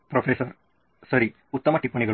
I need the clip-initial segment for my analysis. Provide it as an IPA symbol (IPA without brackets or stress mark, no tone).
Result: p